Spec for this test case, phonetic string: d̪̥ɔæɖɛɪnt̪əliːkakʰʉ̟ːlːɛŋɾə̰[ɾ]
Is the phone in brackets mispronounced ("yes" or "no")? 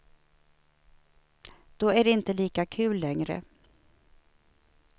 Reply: yes